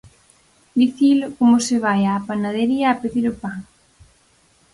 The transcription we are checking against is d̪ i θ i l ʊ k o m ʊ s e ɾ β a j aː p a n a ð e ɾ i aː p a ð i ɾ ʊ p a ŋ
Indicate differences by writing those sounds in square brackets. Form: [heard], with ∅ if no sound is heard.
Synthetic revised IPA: d̪ i θ i l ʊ k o m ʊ s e [∅] β a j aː p a n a ð e ɾ i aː p [e] ð i ɾ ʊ p a ŋ

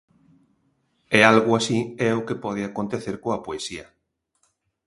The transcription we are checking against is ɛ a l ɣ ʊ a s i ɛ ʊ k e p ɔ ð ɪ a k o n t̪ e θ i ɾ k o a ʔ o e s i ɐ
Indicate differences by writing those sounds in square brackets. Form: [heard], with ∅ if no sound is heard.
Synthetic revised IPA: ɛ a l ɣ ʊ a s i ɛ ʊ k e p ɔ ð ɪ a k o n t̪ e θ [e] ɾ k o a [p] o e s i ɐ

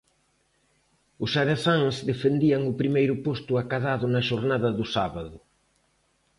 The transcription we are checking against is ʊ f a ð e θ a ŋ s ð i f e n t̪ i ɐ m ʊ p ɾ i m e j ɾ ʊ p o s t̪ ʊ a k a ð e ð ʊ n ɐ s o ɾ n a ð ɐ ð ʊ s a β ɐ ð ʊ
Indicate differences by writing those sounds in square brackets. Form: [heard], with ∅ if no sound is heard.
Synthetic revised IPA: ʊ [s] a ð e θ a ŋ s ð [e] f e n [d̪] i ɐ [ŋ] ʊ p ɾ i m e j ɾ ʊ p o s t̪ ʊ a k a ð [a] ð ʊ n ɐ [ʃ] o ɾ n a ð ɐ ð ʊ s a β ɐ ð ʊ

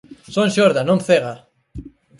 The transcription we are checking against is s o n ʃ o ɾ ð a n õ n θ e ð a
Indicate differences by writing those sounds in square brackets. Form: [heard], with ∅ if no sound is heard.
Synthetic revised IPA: s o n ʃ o ɾ ð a n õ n θ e [ɣ] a

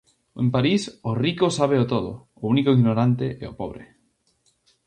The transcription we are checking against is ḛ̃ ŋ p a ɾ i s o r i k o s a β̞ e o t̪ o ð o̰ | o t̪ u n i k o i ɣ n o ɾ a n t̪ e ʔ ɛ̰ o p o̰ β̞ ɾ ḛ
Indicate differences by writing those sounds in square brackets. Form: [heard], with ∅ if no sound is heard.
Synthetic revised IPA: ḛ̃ [m] p a ɾ i s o r i k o s a β̞ e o t̪ o ð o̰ | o [∅] u n i k o i ɣ n o ɾ a n t̪ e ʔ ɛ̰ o p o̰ β̞ ɾ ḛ

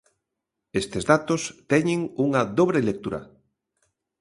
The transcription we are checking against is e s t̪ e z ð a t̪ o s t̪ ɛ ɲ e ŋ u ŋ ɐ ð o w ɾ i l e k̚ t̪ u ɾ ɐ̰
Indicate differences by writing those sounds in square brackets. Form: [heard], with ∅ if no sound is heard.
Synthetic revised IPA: e s t̪ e z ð a t̪ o s t̪ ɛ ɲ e ŋ u ŋ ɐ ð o [β] ɾ [e] l e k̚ t̪ u ɾ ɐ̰

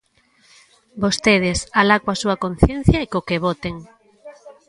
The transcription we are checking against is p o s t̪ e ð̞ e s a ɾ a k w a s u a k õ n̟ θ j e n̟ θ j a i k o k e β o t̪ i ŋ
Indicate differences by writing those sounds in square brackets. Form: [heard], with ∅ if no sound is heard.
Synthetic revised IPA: [b] o s t̪ e ð̞ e s a [l] a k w a s u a k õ n̟ θ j e n̟ θ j a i k o k e β o t̪ [e] ŋ

